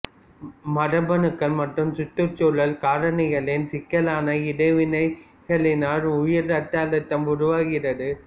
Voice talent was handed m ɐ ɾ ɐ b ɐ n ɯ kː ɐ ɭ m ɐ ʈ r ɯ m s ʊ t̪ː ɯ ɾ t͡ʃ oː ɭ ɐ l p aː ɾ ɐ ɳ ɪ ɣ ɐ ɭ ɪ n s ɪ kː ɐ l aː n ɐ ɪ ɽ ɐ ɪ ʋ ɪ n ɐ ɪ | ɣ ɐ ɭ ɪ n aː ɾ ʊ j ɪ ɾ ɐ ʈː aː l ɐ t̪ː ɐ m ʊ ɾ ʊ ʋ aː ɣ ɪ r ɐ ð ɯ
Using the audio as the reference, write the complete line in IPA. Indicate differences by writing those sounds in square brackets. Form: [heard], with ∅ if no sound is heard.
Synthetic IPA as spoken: m ɐ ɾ ɐ b ɐ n ɯ kː ɐ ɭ m ɐ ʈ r ɯ m s ʊ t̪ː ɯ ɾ t͡ʃ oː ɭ ɐ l [k] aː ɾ ɐ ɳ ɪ ɣ ɐ ɭ ɪ n s ɪ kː ɐ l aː n ɐ ɪ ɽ ɐ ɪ ʋ ɪ n ɐ ɪ | ɣ ɐ ɭ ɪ n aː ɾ ʊ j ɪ ɾ ɐ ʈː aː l ɐ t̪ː ɐ m ʊ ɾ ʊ ʋ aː ɣ ɪ r ɐ ð ɯ